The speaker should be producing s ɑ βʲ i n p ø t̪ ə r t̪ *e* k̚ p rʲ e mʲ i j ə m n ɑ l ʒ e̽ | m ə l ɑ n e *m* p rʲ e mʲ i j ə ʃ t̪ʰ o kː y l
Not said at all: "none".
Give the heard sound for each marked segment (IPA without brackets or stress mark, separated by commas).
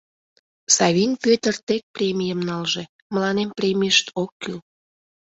e, m